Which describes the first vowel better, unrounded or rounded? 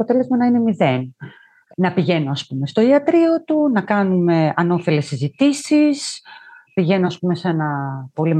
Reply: rounded